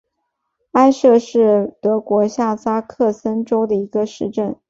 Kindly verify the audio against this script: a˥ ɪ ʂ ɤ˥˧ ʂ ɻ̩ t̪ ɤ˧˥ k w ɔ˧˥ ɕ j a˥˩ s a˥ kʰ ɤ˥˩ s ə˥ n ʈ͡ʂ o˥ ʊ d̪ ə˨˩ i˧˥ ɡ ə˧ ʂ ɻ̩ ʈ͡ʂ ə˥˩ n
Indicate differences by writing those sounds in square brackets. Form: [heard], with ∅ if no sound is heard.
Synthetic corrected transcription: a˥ ɪ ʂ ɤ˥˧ ʂ ɻ̩ t̪ ɤ˧˥ k w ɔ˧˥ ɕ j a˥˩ s a˥ kʰ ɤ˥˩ s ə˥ n ʈ͡ʂ o˥ ʊ d̪ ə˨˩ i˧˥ ɡ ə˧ ʂ ɻ̩ ʈ͡ʂ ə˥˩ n